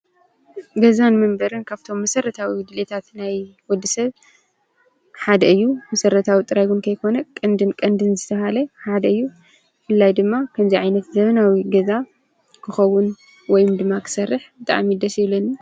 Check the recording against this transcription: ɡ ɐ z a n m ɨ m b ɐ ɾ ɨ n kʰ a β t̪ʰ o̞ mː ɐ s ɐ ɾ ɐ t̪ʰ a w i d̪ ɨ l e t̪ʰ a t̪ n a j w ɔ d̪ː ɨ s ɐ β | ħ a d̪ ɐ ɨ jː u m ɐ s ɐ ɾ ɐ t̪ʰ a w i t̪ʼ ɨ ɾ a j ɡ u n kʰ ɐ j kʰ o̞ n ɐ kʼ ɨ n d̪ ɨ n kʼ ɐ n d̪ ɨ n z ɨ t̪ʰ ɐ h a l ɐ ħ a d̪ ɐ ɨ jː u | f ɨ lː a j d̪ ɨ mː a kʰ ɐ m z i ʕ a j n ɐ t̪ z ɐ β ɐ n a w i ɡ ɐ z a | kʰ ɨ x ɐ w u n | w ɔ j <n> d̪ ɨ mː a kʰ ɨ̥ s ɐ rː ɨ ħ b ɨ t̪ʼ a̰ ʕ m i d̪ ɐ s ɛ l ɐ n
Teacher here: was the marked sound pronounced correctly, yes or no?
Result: no